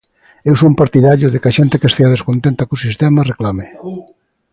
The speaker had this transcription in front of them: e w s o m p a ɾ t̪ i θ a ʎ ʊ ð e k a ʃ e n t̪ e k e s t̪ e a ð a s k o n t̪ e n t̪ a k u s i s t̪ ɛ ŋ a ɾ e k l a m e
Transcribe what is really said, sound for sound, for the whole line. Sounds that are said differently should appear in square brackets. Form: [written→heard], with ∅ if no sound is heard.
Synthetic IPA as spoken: e w s o m p a ɾ t̪ i [θ→ð] a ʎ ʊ ð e k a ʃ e n t̪ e k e s t̪ e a ð [a→e] s k o n t̪ e n t̪ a k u s i s t̪ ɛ [ŋ→m] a [ɾ→r] e k l a m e